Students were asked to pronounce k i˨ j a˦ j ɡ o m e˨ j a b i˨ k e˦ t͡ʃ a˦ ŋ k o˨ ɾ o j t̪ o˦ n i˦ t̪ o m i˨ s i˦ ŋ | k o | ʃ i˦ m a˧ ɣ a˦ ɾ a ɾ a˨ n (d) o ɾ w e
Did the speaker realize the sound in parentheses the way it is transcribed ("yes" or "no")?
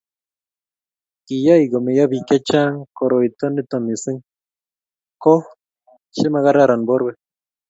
no